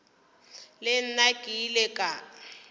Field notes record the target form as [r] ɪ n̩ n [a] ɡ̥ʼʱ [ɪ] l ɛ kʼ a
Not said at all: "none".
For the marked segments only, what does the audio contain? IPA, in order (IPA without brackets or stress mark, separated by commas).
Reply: l, a, i